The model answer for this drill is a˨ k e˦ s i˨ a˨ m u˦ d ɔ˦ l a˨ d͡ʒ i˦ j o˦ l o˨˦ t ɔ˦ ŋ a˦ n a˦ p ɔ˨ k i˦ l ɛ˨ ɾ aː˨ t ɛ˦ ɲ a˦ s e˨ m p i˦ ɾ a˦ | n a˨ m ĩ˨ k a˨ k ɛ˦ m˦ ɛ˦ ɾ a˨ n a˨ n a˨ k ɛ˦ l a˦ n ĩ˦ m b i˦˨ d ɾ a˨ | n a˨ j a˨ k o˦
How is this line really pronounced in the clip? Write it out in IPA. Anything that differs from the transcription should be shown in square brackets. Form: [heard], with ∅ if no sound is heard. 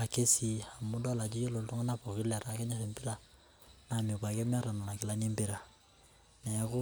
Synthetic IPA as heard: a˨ k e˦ s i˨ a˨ m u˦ d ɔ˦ l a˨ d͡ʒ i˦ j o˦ l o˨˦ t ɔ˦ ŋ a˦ n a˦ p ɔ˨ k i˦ l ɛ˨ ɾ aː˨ [k] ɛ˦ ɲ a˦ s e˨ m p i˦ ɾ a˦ | n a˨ m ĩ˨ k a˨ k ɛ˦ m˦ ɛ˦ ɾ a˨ n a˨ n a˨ k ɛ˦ l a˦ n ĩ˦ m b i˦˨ [∅] ɾ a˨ | n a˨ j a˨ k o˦

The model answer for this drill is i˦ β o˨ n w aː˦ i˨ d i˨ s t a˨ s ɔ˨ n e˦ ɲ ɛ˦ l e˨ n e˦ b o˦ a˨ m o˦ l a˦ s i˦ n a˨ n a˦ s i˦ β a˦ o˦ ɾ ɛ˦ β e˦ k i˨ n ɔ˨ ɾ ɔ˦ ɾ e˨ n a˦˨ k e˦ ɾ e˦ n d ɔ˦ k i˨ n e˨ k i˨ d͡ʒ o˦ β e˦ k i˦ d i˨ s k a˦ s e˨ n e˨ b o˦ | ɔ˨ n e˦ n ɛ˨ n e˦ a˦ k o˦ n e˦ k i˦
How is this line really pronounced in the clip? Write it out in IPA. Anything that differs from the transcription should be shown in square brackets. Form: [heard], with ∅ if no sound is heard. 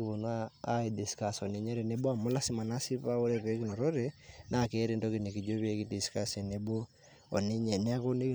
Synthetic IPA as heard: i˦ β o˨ n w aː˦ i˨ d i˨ s [k] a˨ s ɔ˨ n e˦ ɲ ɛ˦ [ɾ] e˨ n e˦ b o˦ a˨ m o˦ l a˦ s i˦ [m] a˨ n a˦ s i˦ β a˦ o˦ ɾ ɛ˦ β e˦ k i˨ n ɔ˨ ɾ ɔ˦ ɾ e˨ n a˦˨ k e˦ ɾ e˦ n d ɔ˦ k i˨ n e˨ k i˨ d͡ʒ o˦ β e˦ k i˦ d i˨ s k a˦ s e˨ n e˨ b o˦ | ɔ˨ n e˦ [ɲ] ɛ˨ n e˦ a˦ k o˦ n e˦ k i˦

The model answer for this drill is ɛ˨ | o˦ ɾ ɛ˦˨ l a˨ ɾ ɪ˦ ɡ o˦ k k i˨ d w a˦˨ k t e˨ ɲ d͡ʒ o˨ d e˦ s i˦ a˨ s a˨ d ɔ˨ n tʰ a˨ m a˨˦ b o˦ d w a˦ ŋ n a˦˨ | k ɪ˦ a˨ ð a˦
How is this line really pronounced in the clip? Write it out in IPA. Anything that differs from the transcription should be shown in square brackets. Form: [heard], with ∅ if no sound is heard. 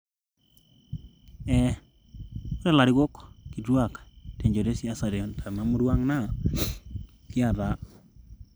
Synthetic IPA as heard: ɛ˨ | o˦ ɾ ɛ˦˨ l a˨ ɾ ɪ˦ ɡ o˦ k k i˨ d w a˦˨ k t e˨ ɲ d͡ʒ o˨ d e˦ s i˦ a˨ s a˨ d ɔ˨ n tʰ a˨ m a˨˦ [m] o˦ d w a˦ ŋ n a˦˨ | k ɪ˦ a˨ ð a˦

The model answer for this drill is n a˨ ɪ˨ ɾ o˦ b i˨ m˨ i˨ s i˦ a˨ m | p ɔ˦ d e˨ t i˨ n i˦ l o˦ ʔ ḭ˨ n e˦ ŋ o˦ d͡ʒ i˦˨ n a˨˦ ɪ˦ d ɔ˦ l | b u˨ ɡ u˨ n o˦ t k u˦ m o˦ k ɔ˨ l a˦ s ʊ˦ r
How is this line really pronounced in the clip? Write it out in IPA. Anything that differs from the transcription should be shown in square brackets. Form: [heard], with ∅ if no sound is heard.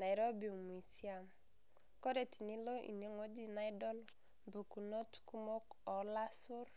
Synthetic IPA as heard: n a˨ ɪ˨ ɾ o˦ b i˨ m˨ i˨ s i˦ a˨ m | [k] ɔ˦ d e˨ t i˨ n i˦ l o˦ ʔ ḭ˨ n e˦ ŋ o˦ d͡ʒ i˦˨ n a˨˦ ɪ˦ d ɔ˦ l | b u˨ [k] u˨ n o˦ t k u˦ m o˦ k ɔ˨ l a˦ s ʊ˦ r

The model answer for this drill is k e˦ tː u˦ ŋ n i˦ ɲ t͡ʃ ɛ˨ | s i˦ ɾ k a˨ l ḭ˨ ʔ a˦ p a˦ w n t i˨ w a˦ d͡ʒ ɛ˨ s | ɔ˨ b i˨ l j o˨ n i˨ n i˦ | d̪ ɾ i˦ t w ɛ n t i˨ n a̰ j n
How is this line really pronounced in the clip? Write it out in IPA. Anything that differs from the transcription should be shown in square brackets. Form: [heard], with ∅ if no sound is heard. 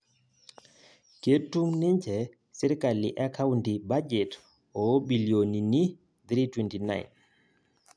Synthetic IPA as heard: k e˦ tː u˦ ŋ n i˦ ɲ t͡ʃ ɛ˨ | s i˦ ɾ k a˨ l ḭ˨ ʔ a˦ [k] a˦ w n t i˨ [b] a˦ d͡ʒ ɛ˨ [t] | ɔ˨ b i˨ l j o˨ n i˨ n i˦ | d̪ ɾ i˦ t w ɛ n t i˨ n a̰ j n

